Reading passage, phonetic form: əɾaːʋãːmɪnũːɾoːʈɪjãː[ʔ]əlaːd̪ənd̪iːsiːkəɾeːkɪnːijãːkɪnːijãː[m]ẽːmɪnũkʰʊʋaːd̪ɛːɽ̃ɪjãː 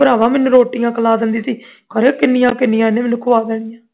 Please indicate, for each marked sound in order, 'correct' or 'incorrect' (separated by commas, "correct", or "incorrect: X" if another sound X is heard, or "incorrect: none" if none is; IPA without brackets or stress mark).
incorrect: k, incorrect: n